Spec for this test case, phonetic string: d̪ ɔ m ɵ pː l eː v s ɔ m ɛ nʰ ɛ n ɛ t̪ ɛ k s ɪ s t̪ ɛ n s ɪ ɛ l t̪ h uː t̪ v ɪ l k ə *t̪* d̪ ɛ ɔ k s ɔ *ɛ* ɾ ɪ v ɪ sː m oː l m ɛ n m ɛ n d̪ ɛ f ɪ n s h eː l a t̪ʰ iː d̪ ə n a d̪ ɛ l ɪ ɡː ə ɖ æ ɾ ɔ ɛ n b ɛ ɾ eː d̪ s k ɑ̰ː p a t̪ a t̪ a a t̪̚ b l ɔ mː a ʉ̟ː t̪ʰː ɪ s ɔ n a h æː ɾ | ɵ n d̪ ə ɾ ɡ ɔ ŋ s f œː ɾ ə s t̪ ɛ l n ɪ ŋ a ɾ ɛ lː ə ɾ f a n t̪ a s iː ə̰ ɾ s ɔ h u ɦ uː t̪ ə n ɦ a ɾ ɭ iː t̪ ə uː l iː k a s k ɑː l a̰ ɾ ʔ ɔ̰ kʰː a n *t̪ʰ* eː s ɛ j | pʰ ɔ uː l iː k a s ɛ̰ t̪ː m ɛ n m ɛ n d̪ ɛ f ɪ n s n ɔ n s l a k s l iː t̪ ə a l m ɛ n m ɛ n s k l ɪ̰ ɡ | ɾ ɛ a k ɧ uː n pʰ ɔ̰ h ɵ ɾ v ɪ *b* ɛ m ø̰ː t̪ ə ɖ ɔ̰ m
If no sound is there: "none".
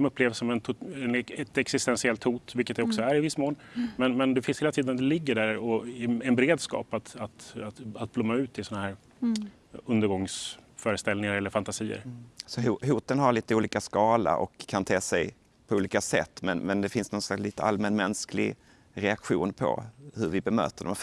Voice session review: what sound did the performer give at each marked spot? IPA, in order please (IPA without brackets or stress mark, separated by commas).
t̪, æ, t̪ʰ, b